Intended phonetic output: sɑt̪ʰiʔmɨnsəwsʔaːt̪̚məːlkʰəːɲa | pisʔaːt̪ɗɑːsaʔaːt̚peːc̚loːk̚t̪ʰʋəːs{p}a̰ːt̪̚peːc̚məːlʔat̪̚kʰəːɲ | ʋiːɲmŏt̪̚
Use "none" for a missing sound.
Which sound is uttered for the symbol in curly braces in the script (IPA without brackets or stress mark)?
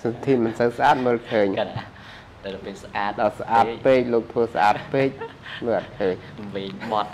ʔ